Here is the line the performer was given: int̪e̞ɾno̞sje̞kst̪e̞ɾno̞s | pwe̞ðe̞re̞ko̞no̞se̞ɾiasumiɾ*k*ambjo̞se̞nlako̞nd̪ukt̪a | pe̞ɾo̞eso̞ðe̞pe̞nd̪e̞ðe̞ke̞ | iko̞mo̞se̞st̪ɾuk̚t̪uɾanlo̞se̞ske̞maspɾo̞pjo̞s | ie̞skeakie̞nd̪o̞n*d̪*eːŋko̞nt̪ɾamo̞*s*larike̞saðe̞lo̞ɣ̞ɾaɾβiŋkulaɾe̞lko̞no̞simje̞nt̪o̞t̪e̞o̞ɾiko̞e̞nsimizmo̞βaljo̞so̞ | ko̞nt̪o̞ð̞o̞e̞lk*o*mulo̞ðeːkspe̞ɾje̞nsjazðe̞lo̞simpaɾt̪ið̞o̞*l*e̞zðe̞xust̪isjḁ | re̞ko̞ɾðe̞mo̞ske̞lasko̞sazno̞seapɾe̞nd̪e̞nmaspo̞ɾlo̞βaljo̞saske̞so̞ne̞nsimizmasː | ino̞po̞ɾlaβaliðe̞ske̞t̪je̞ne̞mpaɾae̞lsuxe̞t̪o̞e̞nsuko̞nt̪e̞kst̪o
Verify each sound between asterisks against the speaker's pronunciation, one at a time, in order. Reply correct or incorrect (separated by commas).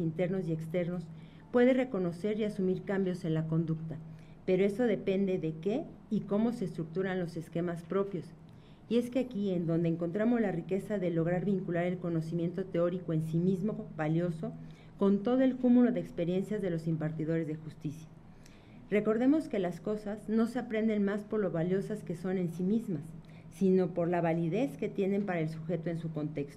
correct, correct, incorrect, incorrect, incorrect